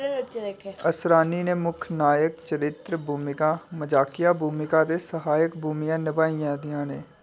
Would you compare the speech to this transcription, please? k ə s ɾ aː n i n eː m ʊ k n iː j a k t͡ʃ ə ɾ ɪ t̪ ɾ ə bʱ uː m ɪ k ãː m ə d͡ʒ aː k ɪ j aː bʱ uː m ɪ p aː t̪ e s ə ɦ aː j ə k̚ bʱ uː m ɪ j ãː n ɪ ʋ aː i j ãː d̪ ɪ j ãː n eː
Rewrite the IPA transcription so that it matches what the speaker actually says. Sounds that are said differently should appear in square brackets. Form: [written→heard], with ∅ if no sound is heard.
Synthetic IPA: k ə s ɾ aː n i n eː m ʊ [k→kʰ] n [iː→aː] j [a→ə] k t͡ʃ ə ɾ ɪ t̪ ɾ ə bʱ uː m ɪ k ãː m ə d͡ʒ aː k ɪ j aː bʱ uː m ɪ [p→k] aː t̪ e s ə ɦ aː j ə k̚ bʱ uː m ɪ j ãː n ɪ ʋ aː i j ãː d̪ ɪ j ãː n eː